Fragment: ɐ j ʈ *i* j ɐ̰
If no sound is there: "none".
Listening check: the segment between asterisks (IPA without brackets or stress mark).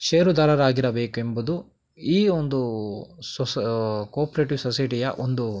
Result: i